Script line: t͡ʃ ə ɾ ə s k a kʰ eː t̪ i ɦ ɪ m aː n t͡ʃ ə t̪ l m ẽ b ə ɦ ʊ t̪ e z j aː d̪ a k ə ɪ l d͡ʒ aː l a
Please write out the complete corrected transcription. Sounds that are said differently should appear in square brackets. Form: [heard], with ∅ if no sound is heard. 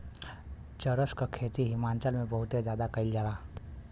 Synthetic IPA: t͡ʃ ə ɾ ə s k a kʰ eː t̪ i ɦ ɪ m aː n t͡ʃ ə [∅] l m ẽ b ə ɦ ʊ t̪ e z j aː d̪ a k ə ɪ l d͡ʒ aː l a